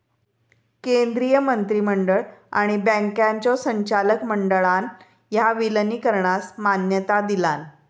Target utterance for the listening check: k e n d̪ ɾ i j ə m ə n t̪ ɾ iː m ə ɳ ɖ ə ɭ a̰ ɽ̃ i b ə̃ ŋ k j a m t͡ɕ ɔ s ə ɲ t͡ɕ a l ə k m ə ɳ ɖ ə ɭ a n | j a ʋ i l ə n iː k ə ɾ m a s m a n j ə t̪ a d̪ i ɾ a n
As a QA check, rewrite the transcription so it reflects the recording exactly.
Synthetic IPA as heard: k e n d̪ ɾ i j ə m ə n t̪ ɾ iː m ə ɳ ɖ ə ɭ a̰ ɽ̃ i b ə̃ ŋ k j a ɲ t͡ɕ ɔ s ə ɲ t͡ɕ a l ə k m ə ɳ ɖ ə ɭ a n | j a ʋ i l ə n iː k ə ɾ ɳ a s m a n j ə t̪ a d̪ i l a n